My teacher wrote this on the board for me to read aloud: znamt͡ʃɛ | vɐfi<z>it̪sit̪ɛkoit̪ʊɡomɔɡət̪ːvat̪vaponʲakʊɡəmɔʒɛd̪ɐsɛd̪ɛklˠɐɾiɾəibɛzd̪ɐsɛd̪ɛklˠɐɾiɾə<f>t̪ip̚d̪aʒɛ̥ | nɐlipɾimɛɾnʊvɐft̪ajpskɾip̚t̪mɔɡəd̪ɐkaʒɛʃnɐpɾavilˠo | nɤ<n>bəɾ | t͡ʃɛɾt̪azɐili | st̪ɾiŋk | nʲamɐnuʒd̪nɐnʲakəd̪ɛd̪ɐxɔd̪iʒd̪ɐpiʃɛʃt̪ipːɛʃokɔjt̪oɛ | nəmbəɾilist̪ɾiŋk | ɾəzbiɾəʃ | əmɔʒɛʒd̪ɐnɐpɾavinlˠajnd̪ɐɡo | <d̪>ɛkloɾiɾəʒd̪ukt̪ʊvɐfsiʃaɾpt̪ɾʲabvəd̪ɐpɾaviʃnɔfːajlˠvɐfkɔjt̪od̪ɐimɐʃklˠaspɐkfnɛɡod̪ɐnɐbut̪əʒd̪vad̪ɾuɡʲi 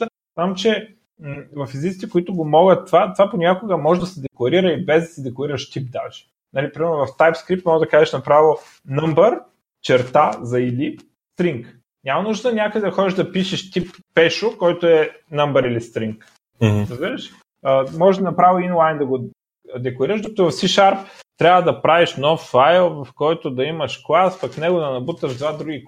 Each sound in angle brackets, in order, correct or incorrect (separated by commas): correct, incorrect, incorrect, correct